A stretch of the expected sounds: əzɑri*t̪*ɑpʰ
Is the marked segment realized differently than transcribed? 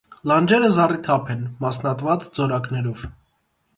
yes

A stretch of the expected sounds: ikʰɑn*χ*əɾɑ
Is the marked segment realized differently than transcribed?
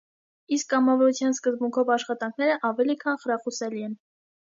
no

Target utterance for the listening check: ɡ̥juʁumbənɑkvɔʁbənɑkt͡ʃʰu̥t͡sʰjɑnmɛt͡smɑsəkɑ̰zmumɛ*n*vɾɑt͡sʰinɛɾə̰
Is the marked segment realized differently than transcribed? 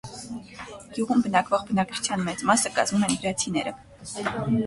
no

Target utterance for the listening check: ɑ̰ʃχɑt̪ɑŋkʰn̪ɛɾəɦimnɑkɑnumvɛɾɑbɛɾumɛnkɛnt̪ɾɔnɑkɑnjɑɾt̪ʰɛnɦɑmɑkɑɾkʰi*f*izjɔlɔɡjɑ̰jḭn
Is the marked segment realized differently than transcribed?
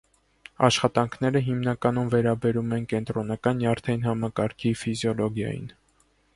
no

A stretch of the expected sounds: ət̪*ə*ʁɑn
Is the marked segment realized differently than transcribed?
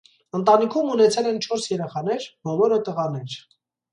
no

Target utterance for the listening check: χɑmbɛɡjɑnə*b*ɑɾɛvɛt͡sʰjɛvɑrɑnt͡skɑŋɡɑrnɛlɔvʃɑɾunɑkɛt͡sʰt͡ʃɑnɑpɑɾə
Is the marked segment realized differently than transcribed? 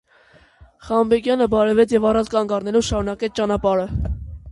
no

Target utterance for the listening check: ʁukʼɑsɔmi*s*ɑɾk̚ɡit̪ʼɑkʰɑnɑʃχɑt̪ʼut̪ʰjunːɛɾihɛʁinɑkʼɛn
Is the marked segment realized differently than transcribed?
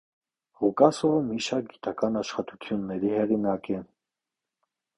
yes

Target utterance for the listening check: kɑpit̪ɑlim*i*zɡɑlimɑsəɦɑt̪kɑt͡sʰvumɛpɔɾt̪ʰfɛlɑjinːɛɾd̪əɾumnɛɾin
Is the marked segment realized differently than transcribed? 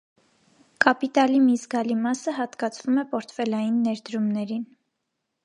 no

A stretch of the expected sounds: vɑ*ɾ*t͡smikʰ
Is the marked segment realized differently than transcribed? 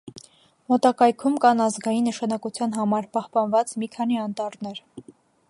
yes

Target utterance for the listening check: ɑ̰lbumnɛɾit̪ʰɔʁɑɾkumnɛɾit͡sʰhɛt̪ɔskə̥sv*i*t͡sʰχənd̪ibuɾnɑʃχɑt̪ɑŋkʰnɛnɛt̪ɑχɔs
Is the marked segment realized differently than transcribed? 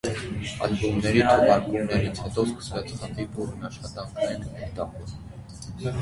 yes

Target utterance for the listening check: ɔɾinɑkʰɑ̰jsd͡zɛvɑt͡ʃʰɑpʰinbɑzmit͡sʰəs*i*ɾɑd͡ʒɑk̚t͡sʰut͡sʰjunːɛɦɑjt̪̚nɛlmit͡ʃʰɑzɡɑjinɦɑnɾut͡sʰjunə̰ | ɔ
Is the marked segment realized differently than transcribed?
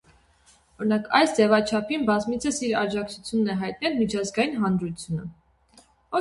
no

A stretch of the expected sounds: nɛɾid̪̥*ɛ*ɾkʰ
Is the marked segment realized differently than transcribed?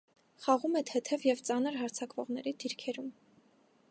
yes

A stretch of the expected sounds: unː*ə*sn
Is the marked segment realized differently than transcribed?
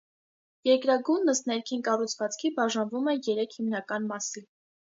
no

